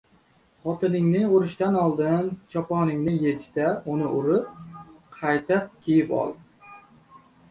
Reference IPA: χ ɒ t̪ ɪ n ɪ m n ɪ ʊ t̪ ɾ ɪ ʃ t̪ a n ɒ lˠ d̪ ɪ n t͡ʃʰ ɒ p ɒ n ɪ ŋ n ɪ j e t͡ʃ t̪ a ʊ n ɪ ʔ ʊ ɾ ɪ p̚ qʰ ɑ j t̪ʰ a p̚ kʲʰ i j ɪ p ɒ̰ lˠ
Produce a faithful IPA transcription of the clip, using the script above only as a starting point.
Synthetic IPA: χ ɒ t̪ ɪ n ɪ ŋ n ɪ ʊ ɾ ɪ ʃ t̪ a n ɒ lˠ d̪ ɪ n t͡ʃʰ ɒ p ɒ n ɪ ŋ n ɪ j e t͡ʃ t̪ a ʊ n ɪ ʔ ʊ ɾ ɪ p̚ qʰ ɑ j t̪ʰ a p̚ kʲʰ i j ɪ p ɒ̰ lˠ